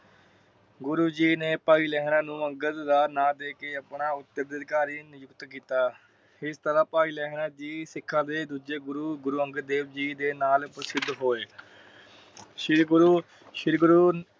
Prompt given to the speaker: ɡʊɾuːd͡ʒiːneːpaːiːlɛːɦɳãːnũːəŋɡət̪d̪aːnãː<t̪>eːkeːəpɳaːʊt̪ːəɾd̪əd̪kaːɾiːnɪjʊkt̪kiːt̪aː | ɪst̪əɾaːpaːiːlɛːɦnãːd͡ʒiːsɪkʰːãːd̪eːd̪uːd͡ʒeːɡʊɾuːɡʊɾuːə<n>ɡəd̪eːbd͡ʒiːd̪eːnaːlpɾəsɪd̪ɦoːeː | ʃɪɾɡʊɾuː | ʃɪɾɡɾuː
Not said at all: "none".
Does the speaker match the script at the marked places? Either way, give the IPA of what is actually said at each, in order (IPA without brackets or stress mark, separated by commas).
d̪, ŋ